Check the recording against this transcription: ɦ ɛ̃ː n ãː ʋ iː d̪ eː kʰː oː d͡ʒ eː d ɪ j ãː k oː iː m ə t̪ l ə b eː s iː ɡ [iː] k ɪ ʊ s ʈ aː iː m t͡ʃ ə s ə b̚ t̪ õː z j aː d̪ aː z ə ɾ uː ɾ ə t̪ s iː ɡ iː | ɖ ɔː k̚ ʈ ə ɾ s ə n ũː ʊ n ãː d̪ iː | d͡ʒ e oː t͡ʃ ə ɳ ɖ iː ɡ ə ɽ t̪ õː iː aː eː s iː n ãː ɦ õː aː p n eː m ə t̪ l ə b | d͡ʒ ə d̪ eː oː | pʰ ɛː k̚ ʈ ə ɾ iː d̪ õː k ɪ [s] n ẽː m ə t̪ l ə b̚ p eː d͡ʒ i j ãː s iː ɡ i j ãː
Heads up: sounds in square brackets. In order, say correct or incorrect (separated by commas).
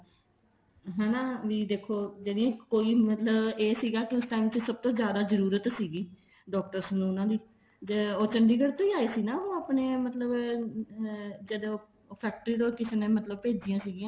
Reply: incorrect, correct